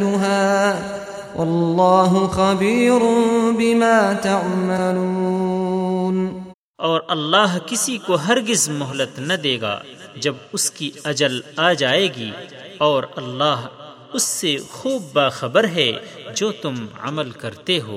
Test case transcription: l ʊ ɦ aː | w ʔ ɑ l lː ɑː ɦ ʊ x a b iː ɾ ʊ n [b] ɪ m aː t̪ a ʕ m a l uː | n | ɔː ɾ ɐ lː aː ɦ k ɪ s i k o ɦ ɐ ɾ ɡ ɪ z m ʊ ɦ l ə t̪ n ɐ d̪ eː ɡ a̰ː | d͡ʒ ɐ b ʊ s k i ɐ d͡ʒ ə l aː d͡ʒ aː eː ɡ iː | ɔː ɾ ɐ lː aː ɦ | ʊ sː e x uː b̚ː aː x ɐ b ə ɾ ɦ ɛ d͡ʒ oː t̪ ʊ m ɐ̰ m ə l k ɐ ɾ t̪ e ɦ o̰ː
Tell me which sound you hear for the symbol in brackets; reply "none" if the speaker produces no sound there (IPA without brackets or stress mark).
b